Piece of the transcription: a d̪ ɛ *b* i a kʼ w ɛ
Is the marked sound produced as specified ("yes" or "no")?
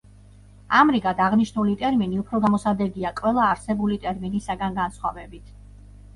no